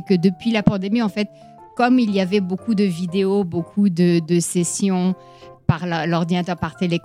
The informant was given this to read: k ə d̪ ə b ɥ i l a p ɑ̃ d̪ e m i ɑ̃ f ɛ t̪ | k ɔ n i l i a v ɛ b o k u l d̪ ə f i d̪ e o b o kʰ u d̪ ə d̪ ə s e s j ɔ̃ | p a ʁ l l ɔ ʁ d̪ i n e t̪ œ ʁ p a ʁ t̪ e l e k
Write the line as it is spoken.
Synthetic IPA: k ə d̪ ə p ɥ i l a p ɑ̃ d̪ e m i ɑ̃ f ɛ t̪ | k ɔ m i l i a v ɛ b o k u d̪ ə v i d̪ e o b o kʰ u d̪ ə d̪ ə s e s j ɔ̃ | p a ʁ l l ɔ ʁ d̪ i n a t̪ œ ʁ p a ʁ t̪ e l e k